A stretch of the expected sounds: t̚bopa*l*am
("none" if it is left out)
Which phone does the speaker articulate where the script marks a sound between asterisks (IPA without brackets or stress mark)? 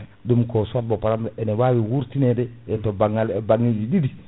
ɾ